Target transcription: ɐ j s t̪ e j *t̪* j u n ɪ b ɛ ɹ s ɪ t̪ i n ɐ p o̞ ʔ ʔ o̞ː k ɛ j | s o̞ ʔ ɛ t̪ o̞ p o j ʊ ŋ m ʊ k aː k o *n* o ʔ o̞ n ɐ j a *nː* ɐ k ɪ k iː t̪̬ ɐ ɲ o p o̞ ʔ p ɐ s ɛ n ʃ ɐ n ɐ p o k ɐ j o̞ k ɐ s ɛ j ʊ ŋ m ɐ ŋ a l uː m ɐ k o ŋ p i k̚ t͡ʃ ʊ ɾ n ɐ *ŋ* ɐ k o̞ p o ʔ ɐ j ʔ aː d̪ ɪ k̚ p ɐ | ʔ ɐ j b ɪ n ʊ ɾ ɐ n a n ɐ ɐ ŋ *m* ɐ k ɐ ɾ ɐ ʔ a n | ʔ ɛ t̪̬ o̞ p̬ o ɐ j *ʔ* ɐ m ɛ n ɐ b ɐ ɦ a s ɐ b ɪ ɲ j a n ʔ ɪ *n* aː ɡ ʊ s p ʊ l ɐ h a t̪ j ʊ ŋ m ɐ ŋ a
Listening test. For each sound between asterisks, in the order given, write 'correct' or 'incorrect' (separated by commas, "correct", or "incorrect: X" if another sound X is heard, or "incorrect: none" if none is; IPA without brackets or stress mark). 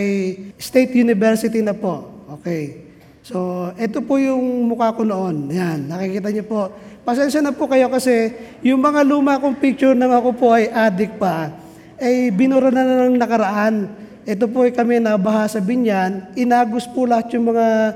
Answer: correct, correct, correct, correct, incorrect: n, incorrect: k, correct